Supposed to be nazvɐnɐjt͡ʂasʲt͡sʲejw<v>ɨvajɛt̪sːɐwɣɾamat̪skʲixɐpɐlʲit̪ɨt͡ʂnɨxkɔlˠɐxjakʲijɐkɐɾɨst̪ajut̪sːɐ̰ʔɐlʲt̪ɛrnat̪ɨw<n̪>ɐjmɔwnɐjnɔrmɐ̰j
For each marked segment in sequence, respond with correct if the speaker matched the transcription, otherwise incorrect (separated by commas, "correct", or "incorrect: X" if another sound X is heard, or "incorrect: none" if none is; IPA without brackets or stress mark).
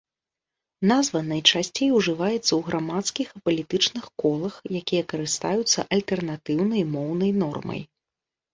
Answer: incorrect: ʐ, correct